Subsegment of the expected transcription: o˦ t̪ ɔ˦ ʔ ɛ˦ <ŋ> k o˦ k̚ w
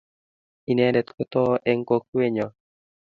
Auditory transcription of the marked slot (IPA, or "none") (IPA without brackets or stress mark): ŋ